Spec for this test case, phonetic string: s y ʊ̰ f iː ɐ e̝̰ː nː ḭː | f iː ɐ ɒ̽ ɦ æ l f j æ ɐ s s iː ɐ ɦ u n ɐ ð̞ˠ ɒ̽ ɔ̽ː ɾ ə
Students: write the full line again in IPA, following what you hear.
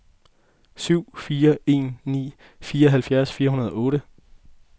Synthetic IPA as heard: s y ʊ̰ f iː ɐ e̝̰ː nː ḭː | f iː ɐ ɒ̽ ɦ æ l f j æ ɐ s f iː ɐ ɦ u n ɐ ð̞ˠ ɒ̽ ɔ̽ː ɾ ə